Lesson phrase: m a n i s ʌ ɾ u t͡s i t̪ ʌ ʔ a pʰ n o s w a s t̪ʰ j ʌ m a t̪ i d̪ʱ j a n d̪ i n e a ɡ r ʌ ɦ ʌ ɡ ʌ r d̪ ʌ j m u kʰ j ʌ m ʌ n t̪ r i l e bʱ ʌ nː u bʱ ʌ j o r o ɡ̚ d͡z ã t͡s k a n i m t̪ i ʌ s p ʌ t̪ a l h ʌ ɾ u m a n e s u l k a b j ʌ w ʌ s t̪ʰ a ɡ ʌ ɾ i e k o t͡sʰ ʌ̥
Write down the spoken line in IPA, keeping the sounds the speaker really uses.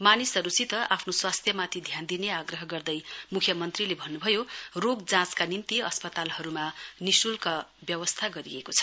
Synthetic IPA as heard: m a n i s ʌ ɾ u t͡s i t̪ ʌ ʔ a pʰ n o s w a s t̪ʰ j ʌ m a t̪ʰ i d̪ʱ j a n d̪ i n e a ɡ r ʌ ɦ ʌ ɡ ʌ r d̪ ʌ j m u kʰ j ʌ m ʌ n t̪ r i l e bʱ ʌ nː u bʱ ʌ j o r o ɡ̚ d͡z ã t͡s k a n i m t̪ i ʌ s p ʌ t̪ a l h ʌ ɾ u m a n i s u l k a b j ʌ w ʌ s t̪ʰ a ɡ ʌ ɾ i e k o t͡sʰ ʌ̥

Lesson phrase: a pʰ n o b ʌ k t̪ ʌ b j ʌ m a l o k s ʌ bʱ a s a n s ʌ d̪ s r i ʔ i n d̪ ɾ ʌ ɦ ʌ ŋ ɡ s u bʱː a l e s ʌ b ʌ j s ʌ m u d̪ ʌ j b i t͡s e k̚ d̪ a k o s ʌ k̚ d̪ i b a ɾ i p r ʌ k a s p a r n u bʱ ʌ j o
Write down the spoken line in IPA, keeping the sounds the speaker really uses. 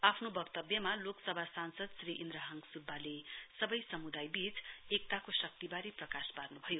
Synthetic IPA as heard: a pʰ n o b ʌ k t̪ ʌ b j ʌ m a l o k s ʌ bʱ a s a n s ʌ d̪ s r i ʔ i n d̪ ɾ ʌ ɦ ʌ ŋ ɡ s u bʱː a l e s ʌ b ʌ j s ʌ m u d̪ a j b i t͡s e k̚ t̪ a k o s ʌ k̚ t̪ i b a ɾ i p r ʌ k a s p a r n u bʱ ʌ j o

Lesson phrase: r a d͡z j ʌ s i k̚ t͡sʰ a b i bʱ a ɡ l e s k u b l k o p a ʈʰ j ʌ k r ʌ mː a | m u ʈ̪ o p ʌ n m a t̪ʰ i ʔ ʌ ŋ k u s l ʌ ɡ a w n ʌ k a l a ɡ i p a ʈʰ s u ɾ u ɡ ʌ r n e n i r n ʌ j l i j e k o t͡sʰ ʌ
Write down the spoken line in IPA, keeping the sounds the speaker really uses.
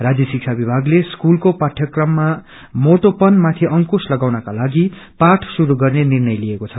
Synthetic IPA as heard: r a d͡z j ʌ s i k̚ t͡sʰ a b i bʱ a ɡ l e s k u l k o p a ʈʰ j ʌ k r ʌ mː a | m o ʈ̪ o p ʌ n m a t̪ʰ i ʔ ʌ ŋ k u s l ʌ ɡ a w n ʌ k a l a ɡ i p a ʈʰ s u ɾ u ɡ ʌ r n e n i r n ʌ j l i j e k o t͡sʰ ʌ

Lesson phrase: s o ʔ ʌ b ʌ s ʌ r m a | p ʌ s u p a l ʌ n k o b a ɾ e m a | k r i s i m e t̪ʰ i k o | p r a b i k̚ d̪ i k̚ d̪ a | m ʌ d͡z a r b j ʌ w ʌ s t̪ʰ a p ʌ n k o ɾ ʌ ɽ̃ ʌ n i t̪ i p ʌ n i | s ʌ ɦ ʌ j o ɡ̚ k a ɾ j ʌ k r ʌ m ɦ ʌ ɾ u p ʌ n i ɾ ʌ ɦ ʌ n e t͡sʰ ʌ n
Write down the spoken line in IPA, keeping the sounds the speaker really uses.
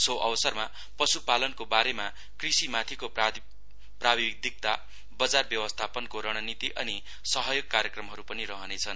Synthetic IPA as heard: s o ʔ ʌ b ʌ s ʌ r m a | p ʌ s u p a l ʌ n k o b a ɾ e m a | k r i s i m a t̪ʰ i k o | p r a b i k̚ d̪ i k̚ t̪ a | b ʌ d͡z a r b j ʌ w ʌ s t̪ʰ a p ʌ n k o ɾ ʌ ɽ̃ ʌ n i t̪ i ʔ ʌ n i | s ʌ ɦ ʌ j o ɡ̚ k a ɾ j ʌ k r ʌ m ɦ ʌ ɾ u p ʌ n i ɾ ʌ ɦ ʌ n e t͡sʰ ʌ n

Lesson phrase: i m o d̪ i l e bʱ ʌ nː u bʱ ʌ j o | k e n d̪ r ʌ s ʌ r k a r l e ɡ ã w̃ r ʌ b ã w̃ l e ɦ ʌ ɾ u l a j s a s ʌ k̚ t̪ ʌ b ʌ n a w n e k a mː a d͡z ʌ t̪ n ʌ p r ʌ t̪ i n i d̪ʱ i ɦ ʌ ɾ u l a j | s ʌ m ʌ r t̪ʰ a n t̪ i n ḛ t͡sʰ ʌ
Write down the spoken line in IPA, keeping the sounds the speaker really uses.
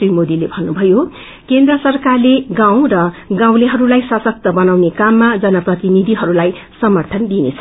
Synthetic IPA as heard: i m o d̪ i l e bʱ ʌ nː u bʱ ʌ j o | k e n d̪ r ʌ s ʌ r k a r l e ɡ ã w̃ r ʌ ɡ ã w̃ l e ɦ ʌ ɾ u l a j s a s ʌ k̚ t̪ ʌ b ʌ n a w n e k a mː a d͡z ʌ n ʌ p r ʌ t̪ i n i d̪ʱ i ɦ ʌ ɾ u l a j | s ʌ m ʌ r t̪ʰ ʌ n d̪ i n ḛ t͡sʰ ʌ

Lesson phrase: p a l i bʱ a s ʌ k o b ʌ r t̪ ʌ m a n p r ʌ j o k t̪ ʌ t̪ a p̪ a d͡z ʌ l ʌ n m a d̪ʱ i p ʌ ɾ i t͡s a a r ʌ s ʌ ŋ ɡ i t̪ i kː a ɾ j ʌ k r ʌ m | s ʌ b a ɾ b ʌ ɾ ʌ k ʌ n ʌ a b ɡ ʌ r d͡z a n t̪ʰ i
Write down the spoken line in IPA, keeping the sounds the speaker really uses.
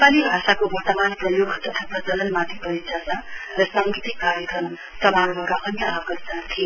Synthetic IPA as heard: p a l i bʱ a s a k o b ʌ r t̪ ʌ m a n p r ʌ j o ɡ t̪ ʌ t̪ʰ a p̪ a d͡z ʌ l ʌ n m a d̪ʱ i p ʌ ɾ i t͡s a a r ʌ s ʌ ŋ ɡ i t̪ i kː a ɾ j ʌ k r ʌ m | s ʌ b a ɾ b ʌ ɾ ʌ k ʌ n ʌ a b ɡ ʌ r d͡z a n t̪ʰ i

